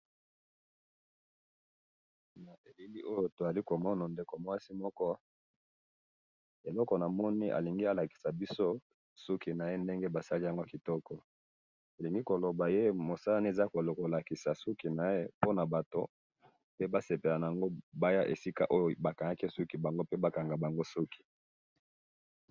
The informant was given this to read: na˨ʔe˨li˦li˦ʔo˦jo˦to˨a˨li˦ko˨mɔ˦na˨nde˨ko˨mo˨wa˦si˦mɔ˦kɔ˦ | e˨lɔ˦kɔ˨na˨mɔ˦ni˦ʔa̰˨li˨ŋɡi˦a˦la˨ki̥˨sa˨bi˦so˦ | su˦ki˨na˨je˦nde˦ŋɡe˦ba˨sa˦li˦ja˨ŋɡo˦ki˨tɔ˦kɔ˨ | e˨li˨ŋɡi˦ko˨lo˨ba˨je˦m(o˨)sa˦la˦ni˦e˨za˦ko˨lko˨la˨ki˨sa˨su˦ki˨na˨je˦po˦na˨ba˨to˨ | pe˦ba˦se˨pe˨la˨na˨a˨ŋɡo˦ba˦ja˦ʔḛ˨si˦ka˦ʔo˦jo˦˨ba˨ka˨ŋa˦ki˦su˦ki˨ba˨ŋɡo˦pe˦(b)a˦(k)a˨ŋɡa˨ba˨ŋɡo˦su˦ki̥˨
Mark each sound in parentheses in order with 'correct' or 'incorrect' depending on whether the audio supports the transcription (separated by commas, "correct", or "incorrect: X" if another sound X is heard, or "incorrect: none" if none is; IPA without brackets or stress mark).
correct, correct, correct